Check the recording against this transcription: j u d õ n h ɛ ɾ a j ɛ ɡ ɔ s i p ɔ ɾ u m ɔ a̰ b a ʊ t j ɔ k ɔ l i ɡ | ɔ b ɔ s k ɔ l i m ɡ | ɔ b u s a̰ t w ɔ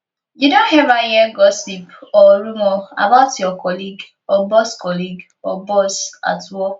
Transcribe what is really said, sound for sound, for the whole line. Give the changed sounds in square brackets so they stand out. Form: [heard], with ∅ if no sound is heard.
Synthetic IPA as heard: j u d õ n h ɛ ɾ a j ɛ ɡ ɔ s i p ɔ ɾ u m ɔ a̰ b a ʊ t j ɔ k ɔ l i ɡ | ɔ b ɔ s k ɔ l i [∅] ɡ | ɔ b [ɔ] s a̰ t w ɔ